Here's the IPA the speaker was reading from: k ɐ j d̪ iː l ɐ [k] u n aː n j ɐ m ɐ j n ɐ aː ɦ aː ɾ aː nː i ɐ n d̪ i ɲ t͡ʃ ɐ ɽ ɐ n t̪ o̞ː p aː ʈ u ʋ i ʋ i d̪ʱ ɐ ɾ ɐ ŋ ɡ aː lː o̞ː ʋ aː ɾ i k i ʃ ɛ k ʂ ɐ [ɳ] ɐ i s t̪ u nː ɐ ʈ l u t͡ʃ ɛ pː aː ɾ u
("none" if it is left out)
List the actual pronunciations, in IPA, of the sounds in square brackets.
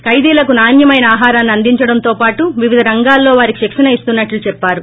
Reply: k, n

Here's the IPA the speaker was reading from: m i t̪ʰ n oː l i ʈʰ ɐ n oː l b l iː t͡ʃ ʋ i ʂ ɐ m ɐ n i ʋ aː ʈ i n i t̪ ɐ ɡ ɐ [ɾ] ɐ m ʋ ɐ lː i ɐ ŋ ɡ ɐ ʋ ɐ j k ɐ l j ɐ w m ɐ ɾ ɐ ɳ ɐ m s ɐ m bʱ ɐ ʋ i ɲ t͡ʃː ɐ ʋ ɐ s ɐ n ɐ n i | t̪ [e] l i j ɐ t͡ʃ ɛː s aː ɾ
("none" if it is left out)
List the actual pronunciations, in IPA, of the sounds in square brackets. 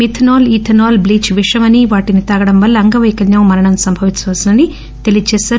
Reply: ɽ, e

